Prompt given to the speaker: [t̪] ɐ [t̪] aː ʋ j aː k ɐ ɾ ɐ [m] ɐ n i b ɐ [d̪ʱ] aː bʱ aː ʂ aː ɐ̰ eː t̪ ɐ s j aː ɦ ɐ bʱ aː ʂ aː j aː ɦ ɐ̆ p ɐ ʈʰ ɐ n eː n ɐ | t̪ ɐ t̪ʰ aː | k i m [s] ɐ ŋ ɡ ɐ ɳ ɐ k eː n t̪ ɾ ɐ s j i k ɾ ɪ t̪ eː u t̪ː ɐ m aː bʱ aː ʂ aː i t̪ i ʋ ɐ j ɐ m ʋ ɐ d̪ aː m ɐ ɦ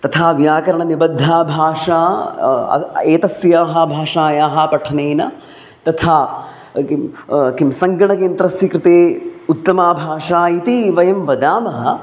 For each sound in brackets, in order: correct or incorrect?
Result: correct, incorrect: t̪ʰ, incorrect: ɳ, incorrect: d̪ʱː, correct

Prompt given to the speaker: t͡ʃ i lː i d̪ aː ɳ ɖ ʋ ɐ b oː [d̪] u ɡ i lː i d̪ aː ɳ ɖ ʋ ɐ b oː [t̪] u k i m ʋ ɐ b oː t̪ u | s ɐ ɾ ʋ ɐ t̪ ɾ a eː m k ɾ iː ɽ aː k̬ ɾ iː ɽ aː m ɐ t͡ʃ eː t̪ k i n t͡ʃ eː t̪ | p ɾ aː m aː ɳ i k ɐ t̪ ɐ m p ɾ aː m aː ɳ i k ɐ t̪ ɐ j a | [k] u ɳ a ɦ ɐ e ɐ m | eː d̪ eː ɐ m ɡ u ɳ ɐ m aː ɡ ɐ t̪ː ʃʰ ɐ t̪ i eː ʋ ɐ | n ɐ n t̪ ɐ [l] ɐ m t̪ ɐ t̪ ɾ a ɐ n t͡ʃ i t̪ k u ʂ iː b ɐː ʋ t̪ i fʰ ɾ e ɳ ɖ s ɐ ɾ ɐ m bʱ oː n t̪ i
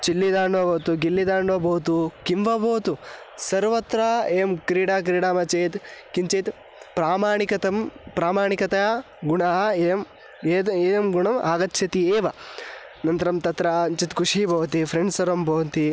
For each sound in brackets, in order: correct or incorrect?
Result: incorrect: t̪, correct, incorrect: ɡ, incorrect: ɾ

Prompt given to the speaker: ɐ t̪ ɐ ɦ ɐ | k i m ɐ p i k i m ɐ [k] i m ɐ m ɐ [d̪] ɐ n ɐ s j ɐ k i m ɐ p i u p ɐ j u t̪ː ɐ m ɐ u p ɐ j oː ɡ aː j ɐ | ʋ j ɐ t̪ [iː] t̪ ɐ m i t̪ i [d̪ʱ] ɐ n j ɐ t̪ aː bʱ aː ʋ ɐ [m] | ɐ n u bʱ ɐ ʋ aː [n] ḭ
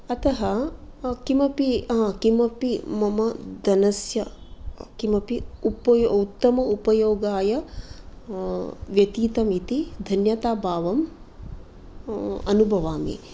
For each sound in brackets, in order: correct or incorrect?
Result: incorrect: p, correct, correct, correct, correct, incorrect: m

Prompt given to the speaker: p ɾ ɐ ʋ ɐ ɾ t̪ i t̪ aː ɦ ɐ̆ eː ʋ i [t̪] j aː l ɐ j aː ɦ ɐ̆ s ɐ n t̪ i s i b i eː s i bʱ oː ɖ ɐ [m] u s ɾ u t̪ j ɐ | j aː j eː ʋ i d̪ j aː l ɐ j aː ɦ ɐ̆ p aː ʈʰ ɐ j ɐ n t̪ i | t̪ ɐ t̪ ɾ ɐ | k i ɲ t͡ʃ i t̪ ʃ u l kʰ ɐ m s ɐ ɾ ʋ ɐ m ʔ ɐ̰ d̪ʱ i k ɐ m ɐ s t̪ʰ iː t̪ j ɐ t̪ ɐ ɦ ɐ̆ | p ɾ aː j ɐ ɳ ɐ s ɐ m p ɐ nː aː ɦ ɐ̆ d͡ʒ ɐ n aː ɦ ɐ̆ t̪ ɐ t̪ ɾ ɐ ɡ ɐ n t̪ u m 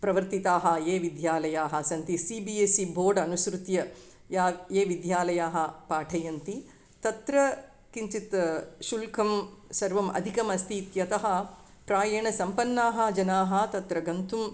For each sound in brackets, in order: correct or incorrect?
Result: incorrect: d̪, incorrect: n

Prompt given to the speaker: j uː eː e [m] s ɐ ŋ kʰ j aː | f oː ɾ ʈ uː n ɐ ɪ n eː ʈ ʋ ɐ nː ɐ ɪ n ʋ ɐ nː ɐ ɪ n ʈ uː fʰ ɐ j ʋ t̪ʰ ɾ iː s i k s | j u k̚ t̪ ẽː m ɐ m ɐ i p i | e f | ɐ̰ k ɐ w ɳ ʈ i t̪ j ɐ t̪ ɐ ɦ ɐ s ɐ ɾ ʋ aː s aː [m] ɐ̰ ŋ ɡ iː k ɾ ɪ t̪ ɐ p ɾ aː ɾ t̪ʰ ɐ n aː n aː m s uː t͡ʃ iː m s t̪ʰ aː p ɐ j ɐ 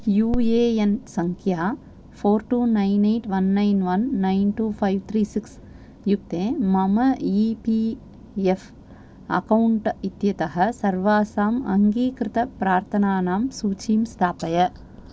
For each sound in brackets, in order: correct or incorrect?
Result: incorrect: n, correct

